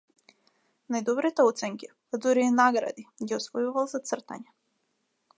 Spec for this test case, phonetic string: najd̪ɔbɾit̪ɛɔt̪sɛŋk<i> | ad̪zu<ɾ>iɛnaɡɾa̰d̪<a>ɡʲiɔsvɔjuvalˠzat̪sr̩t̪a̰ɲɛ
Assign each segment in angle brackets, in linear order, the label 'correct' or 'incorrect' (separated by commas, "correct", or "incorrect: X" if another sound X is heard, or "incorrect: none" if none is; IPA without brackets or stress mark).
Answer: correct, correct, incorrect: i